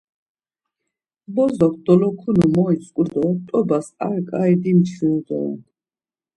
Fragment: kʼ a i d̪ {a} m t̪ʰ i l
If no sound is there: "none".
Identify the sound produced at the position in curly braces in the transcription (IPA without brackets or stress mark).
i